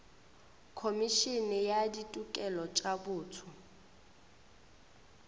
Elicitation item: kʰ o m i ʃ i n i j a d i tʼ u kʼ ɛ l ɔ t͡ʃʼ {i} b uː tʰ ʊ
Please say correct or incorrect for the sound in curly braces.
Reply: incorrect